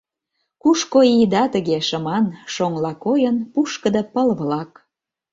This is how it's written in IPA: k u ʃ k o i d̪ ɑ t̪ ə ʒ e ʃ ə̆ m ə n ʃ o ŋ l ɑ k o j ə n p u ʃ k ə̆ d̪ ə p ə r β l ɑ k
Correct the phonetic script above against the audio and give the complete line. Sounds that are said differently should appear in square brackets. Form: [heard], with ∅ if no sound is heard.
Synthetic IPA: k u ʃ k o i d̪ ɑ t̪ ə [ɣ] e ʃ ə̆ m [ɑ] n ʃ o ŋ l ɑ k o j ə n p u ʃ k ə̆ d̪ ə p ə [l] β l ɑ k